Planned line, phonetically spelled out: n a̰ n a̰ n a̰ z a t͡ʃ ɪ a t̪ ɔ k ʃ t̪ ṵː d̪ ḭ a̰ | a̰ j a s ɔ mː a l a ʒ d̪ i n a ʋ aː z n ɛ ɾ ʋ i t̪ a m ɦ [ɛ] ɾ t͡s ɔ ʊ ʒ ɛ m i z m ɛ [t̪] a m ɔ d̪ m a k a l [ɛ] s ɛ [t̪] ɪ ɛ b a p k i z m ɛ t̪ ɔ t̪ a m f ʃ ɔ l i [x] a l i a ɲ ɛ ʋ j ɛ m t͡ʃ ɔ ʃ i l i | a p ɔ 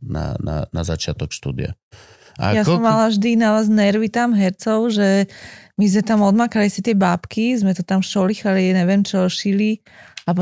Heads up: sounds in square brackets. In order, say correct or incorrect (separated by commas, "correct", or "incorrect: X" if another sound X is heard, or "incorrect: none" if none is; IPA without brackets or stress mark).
correct, correct, incorrect: i, correct, correct